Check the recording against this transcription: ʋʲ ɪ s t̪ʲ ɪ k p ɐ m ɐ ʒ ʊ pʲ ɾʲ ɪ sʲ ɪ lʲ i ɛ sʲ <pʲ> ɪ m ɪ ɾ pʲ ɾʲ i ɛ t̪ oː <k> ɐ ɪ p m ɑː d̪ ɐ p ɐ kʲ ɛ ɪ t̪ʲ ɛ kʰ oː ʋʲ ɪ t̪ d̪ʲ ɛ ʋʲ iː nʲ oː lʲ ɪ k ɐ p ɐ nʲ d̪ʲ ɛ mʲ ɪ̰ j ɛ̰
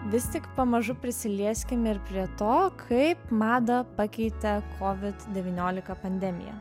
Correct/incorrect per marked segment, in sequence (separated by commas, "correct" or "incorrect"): incorrect, incorrect